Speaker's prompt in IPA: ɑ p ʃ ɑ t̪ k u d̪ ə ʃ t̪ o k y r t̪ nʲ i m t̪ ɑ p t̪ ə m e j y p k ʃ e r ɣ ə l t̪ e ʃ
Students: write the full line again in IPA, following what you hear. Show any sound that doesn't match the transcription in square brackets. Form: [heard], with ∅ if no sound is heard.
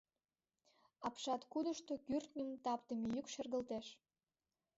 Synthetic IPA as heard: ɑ p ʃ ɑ t̪ k u d̪ ə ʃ t̪ o k y r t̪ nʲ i m t̪ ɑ p t̪ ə m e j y [∅] k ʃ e r ɣ ə l t̪ e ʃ